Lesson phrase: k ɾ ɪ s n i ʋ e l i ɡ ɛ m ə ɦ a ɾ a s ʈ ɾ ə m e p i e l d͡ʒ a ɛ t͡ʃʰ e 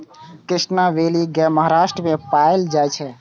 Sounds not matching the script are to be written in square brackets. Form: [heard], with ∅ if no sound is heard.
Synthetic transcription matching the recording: k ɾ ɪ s n [a] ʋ e l i ɡ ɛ m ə ɦ a ɾ a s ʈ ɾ ə m e p [a] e l d͡ʒ a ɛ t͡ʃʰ [ɛ]